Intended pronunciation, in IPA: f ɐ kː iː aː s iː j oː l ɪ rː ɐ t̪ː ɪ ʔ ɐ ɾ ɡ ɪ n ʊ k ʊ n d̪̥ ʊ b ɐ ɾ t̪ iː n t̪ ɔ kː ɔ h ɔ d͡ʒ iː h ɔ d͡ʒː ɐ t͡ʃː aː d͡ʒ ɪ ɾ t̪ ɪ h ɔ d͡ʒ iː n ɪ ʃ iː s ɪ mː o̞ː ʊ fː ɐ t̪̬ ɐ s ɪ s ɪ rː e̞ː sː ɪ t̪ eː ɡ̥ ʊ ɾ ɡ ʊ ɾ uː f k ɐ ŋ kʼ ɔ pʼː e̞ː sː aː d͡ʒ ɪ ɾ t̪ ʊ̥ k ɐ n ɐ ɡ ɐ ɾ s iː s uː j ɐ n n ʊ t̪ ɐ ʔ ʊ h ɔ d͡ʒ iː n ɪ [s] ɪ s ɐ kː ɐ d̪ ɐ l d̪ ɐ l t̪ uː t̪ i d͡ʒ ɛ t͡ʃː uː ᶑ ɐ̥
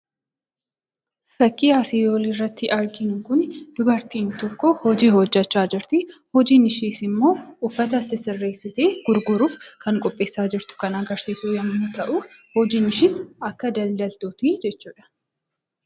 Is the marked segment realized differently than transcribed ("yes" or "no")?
yes